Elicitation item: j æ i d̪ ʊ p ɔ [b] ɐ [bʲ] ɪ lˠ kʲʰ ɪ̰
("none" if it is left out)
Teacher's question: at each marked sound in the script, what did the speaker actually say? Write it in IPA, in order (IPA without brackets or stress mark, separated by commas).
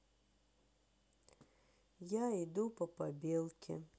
p, bʲ